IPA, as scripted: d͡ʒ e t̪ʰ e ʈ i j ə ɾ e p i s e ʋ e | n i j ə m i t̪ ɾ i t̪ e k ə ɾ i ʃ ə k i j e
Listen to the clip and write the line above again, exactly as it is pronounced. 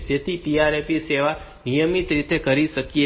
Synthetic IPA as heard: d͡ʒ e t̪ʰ i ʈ i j a ɾ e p i s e ʋ a | n i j ə m i t̪ ɾ i t̪ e k ə ɾ i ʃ ə k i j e